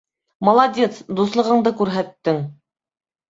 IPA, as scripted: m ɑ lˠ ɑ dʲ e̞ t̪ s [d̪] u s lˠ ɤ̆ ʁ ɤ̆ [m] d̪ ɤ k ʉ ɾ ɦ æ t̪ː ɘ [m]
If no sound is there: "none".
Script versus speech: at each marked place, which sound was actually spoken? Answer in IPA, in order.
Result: d̪, ɴ, ŋ

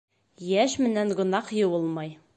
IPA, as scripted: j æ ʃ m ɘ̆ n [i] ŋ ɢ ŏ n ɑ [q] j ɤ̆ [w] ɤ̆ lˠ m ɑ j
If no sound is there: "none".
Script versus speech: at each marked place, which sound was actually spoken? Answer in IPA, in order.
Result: æ, q, w

